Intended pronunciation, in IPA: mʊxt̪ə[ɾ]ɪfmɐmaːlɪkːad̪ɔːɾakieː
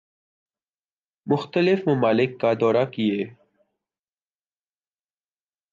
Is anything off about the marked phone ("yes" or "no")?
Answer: yes